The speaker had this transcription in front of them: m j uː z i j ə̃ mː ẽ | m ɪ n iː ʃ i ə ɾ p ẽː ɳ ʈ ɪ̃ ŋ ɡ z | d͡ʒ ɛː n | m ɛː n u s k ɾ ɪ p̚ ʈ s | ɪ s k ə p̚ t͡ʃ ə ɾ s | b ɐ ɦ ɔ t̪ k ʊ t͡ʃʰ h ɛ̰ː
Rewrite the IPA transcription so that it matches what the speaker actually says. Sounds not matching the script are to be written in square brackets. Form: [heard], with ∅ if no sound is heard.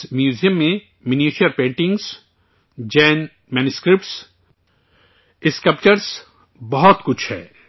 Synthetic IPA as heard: m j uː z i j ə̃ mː ẽ | m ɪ n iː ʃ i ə ɾ p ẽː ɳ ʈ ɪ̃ ŋ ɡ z | d͡ʒ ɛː n | m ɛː n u s k ɾ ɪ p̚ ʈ s | ɪ s k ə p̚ t͡ʃ ə ɾ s | b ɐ ɦ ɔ t̪ k ʊ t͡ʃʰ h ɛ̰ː